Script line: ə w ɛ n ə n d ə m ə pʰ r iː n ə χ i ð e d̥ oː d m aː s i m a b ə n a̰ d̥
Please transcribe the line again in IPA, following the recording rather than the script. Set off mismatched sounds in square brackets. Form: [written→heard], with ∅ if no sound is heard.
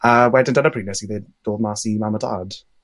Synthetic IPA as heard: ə w ɛ [n→d] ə n d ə [m→n] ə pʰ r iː n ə [χ→s] i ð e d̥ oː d m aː s i m a [b→m] ə [n→d] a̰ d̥